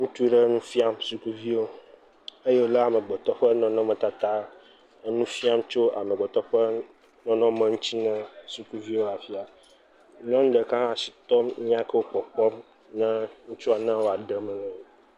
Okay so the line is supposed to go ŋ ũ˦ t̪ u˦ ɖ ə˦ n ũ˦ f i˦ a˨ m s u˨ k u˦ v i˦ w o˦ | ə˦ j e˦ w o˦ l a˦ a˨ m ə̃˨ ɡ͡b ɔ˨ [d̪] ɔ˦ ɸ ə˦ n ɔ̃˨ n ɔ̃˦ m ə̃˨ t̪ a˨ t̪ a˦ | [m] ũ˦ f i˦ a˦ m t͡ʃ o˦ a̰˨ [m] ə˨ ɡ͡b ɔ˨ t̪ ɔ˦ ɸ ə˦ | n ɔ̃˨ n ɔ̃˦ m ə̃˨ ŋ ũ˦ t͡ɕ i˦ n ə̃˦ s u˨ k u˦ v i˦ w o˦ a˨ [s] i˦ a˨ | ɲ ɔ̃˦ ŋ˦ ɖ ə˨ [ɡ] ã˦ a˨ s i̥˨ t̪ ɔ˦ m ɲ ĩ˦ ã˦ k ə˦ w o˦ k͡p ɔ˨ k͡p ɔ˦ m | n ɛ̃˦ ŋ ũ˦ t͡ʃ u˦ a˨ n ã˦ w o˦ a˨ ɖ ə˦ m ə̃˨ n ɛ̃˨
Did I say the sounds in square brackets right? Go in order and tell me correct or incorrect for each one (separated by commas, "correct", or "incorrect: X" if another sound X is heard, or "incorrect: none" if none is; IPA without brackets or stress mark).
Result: incorrect: t̪, incorrect: n, correct, incorrect: f, incorrect: k